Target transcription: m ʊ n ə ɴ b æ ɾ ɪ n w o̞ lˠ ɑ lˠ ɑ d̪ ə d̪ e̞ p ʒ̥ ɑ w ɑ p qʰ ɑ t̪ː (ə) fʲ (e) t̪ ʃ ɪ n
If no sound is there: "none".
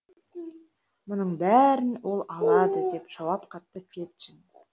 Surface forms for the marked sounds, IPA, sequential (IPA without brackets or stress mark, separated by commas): ə, e